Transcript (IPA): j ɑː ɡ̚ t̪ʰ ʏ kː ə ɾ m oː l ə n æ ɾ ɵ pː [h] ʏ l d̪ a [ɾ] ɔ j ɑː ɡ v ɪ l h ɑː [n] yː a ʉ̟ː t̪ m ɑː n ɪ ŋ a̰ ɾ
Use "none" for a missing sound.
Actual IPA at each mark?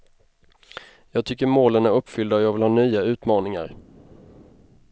f, none, n

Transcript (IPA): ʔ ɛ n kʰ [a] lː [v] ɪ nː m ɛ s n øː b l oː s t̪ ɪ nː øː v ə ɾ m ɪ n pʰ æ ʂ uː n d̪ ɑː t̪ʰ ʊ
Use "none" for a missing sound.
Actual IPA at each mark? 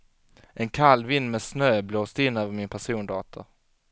a, v

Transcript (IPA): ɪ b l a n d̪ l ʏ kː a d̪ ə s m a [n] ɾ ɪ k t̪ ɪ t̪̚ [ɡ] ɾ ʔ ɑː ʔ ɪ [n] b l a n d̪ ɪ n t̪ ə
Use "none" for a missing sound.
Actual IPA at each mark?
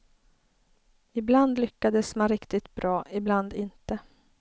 n, b, none

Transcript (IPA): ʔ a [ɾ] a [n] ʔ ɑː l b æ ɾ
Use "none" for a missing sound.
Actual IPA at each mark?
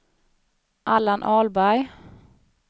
l, n

